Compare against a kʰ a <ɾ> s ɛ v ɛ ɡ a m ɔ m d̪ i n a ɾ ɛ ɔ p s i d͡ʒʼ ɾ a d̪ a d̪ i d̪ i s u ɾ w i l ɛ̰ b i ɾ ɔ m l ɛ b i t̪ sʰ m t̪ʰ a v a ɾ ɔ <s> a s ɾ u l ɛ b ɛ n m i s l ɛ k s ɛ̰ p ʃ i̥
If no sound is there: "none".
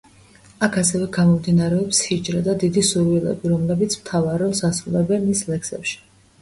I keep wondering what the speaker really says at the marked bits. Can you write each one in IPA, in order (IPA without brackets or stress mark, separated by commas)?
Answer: none, s